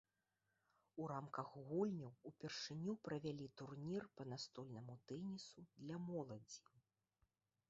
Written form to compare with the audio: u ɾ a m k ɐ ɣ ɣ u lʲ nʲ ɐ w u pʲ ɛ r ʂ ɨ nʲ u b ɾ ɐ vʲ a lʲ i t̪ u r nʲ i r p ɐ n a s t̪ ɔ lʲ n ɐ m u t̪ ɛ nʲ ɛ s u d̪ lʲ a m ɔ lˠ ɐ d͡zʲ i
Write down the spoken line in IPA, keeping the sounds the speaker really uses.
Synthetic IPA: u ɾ a m k ɐ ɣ ɣ u lʲ nʲ ɐ w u pʲ ɛ r ʂ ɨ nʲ u p ɾ ɐ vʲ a lʲ i t̪ u r nʲ i r p ɐ n a s t̪ ɔ lʲ n ɐ m u t̪ ɛ nʲ i s u d̪ lʲ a m ɔ lˠ ɐ d͡zʲ i